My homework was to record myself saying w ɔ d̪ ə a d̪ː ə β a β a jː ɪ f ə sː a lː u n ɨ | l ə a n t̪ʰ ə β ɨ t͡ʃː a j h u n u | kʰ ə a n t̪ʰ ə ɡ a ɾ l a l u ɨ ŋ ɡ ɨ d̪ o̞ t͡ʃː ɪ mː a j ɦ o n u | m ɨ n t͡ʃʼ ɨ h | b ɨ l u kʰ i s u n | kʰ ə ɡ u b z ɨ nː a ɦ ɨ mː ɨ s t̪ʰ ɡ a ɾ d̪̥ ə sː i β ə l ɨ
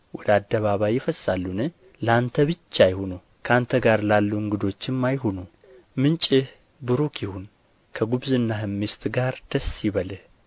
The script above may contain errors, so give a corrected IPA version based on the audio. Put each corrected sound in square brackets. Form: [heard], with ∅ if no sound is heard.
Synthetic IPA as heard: w ɔ d̪ ə a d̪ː ə β a β a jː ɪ f ə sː a lː u n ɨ | l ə a n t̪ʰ ə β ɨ t͡ʃː a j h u n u | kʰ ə a n t̪ʰ ə ɡ a ɾ l a [lː] u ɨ ŋ ɡ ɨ d̪ o̞ t͡ʃː ɪ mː a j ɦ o n u | m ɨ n t͡ʃʼ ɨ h | b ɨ [ɾ] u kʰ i [h] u n | kʰ ə ɡ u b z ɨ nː a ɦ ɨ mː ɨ s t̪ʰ ɡ a ɾ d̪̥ ə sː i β ə l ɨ